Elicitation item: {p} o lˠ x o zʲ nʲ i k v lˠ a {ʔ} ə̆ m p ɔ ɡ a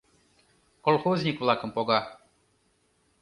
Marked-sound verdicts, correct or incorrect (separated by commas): incorrect, incorrect